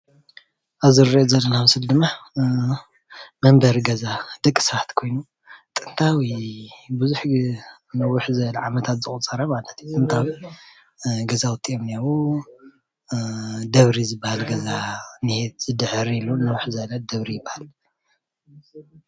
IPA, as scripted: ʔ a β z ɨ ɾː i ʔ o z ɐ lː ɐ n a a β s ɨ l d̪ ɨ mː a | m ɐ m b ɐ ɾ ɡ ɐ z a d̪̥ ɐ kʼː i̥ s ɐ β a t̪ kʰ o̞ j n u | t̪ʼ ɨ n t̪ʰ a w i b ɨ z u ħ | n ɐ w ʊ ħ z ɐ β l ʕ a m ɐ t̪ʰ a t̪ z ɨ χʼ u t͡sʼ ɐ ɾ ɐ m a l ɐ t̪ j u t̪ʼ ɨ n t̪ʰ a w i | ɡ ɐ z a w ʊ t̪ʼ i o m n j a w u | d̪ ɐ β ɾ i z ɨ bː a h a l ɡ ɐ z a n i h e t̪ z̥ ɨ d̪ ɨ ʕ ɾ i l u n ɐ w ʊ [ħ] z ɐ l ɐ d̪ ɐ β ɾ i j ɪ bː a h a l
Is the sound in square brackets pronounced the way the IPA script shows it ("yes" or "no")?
yes